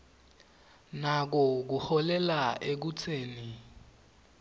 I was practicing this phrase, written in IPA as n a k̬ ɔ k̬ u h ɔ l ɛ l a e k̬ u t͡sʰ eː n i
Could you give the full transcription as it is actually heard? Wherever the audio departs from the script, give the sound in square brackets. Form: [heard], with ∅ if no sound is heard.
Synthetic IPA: n a k̬ ɔ k̬ u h ɔ l ɛ l a e k̬ u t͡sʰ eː n i

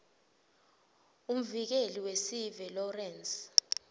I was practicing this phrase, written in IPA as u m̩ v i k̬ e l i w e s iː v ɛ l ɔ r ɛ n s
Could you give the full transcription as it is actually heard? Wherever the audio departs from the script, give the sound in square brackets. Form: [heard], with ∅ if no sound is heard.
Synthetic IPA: u m̩ v i k̬ e l i w e s [i] v ɛ l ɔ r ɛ n s

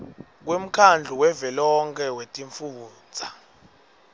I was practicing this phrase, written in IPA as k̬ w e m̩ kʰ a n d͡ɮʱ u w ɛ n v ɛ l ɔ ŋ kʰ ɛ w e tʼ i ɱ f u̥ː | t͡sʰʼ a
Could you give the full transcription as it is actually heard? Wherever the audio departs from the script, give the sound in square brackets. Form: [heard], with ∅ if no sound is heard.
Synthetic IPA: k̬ w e m̩ kʰ a n d͡ɮʱ u w ɛ [∅] v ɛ l ɔ ŋ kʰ ɛ w e tʼ i ɱ f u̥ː | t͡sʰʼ a

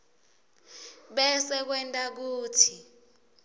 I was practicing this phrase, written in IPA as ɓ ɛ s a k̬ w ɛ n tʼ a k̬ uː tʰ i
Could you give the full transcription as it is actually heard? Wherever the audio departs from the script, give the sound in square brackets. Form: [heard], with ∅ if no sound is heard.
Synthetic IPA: ɓ ɛ s [ɛ] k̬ w ɛ n tʼ a k̬ uː tʰ i

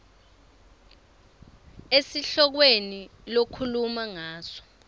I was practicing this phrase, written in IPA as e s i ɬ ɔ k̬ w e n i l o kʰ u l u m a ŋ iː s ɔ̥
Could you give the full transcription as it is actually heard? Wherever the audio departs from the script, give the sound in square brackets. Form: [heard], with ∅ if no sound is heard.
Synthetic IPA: e s i ɬ ɔ k̬ w e n i l o kʰ u l u m a ŋ [aː] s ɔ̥

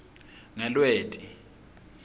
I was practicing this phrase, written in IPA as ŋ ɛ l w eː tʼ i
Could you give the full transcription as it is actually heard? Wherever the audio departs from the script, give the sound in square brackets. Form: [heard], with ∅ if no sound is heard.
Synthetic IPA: ŋ ɛ l w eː tʼ i

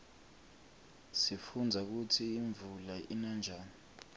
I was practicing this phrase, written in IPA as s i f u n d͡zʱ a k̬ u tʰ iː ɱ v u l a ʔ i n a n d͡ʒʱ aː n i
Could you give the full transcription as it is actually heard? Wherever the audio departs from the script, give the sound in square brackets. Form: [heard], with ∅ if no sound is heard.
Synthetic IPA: s i f u n d͡zʱ a k̬ u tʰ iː ɱ v u l a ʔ i n a n d͡ʒʱ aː n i

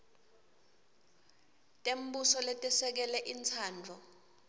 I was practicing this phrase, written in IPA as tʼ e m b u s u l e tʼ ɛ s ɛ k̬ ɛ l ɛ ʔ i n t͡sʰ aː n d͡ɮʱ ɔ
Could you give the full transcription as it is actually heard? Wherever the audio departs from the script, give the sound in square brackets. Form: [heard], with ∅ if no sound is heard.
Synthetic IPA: tʼ e m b u s [ɔ] l e tʼ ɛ s ɛ k̬ ɛ l ɛ ʔ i n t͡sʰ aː n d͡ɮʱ ɔ

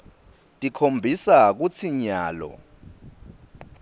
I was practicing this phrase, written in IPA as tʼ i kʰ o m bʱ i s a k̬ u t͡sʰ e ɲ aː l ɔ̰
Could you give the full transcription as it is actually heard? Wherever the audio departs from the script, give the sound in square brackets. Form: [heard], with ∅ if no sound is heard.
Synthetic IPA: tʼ i kʰ o m bʱ i s a k̬ u t͡sʰ [i] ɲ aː l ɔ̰

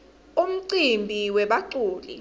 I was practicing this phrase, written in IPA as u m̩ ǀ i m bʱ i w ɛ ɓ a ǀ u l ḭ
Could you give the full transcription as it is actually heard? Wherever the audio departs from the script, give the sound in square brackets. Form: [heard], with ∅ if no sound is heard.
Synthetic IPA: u m̩ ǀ i m bʱ i w ɛ ɓ a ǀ [uː] l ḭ

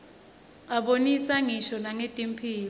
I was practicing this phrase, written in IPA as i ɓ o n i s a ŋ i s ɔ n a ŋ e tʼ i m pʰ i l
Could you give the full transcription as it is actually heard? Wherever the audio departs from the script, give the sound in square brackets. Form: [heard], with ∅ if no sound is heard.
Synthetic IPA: [a] ɓ o n i s a ŋ i [ʃ] ɔ n a ŋ e tʼ i m pʰ [iː] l

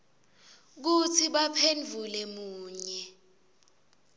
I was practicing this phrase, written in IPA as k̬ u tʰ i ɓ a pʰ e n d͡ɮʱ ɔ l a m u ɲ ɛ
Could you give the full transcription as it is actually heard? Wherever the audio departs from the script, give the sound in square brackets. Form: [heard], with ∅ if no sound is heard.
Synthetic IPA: k̬ u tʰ i ɓ a pʰ e n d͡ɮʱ [u] l [ɛ] m [uː] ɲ ɛ

